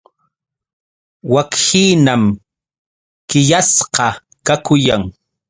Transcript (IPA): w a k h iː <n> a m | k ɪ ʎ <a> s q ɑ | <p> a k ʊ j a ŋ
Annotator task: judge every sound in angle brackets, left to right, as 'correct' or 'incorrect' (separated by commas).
correct, correct, incorrect